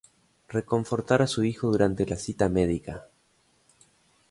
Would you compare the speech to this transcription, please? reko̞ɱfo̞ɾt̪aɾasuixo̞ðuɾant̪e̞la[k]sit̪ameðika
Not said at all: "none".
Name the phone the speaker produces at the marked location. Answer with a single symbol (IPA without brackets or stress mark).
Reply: none